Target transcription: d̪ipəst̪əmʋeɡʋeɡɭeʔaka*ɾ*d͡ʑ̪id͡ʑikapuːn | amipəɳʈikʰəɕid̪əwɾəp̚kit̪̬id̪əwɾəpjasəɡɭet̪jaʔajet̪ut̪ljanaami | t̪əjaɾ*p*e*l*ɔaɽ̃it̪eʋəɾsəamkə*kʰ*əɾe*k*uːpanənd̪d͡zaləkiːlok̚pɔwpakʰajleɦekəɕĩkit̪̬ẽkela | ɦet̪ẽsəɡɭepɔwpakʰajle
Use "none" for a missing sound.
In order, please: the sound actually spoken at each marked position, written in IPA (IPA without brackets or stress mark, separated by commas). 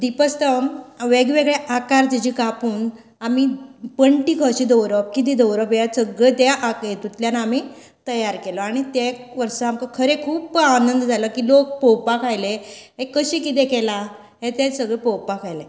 ɾ, k, l, kʰ, kʰ